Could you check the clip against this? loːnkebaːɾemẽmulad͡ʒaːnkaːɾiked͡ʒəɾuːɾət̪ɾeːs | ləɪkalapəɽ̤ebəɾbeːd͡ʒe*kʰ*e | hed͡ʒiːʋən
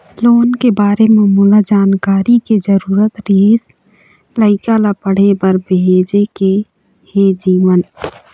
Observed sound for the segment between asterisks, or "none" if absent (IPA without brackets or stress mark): k